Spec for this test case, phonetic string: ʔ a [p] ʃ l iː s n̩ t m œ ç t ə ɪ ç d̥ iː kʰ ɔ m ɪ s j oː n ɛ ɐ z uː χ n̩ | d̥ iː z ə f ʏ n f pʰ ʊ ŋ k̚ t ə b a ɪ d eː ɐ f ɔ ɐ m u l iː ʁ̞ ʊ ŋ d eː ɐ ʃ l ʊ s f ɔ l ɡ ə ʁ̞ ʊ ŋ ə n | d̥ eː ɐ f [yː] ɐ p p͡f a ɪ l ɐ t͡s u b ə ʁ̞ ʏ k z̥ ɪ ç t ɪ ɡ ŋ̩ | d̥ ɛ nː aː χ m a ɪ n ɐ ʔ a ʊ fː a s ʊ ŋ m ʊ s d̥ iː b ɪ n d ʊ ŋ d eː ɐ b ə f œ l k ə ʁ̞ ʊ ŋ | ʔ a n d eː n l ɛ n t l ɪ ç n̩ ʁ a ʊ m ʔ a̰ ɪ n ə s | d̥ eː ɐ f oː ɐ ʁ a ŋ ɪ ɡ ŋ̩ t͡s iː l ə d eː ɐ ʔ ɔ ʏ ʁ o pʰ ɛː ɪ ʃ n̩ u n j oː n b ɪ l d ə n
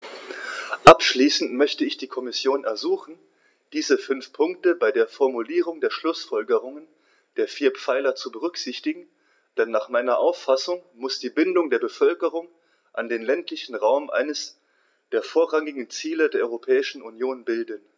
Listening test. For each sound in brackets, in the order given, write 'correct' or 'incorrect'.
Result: correct, incorrect

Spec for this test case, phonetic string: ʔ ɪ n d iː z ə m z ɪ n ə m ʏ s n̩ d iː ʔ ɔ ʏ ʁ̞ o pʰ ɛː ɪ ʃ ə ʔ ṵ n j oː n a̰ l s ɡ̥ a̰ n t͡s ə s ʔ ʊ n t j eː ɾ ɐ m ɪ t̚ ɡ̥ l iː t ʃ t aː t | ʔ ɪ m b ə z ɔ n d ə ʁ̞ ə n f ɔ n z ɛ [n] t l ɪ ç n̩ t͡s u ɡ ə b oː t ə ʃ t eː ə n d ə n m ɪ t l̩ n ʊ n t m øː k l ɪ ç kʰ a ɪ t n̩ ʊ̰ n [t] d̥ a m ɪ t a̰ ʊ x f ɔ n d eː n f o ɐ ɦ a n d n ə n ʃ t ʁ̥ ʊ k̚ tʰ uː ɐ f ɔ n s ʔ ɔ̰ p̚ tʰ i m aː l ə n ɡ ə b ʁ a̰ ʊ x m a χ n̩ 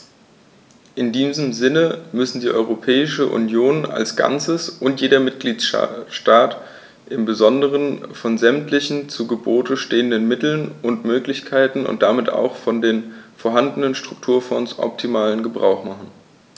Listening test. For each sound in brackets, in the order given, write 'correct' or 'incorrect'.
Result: incorrect, correct

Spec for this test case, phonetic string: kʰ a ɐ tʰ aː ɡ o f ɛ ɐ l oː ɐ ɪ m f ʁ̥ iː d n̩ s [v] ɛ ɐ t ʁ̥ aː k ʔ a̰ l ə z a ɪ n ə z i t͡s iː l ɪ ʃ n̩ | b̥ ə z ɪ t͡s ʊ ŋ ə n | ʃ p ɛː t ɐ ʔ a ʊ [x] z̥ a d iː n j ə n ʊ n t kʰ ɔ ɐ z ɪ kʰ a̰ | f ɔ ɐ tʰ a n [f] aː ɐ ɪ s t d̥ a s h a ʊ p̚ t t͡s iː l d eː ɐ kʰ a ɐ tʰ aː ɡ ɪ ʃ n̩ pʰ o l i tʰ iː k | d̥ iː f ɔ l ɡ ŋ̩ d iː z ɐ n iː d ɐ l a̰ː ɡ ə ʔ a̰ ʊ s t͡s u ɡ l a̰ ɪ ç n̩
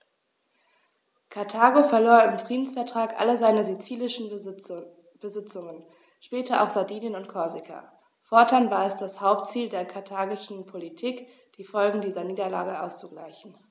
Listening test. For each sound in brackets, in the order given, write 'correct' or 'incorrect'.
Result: incorrect, correct, incorrect

